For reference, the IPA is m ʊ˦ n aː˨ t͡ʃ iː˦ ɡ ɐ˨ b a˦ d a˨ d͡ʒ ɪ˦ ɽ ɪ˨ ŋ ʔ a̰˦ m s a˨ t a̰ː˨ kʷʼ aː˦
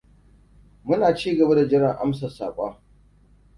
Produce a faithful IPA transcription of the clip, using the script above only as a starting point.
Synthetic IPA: m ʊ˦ n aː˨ t͡ʃ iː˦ ɡ ɐ˨ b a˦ d a˨ d͡ʒ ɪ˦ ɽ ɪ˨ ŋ ʔ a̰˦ m s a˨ s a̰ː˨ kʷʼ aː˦